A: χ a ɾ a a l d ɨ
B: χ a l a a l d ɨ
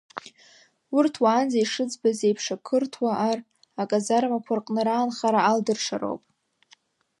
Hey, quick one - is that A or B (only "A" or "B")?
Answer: A